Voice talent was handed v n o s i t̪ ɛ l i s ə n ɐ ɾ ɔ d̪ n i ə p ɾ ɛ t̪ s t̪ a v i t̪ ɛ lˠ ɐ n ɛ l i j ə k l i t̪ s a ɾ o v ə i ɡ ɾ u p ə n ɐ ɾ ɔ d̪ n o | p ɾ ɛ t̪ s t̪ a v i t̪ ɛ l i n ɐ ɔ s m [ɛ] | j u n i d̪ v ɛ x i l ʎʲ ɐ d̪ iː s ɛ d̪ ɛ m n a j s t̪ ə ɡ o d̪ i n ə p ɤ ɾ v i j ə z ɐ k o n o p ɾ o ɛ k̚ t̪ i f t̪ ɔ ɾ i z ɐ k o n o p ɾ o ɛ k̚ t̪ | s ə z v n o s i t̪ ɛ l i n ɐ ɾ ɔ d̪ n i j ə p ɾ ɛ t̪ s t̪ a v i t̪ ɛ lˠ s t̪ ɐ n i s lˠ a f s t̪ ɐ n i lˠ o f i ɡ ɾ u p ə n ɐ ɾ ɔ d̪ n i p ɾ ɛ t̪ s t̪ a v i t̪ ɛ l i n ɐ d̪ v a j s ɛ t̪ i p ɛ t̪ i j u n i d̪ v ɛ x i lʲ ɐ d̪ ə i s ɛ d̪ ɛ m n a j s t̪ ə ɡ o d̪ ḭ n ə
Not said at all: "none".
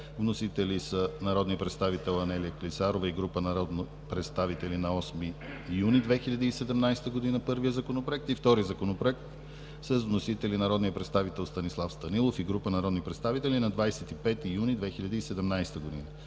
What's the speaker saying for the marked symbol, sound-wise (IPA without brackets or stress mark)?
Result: i